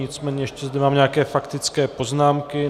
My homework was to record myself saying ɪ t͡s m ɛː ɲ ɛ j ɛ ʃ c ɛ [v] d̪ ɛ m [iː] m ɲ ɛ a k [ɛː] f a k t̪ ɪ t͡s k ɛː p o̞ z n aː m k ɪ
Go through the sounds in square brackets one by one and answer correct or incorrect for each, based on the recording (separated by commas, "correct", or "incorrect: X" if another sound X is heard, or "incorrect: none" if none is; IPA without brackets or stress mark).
incorrect: z, incorrect: aː, correct